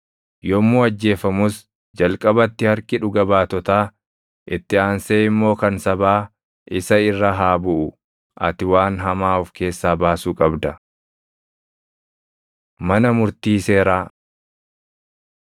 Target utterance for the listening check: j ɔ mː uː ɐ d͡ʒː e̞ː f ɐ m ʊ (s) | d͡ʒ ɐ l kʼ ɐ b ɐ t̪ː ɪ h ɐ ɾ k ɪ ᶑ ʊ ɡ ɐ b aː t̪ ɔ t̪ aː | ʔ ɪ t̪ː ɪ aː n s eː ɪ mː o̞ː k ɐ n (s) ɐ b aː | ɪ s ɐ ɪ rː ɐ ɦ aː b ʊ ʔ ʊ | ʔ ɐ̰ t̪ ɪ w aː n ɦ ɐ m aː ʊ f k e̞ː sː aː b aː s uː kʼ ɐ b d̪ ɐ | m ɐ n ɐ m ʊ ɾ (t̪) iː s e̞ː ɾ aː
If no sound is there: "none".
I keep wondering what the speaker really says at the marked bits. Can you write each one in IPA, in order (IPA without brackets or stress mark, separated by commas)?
s, s, t̪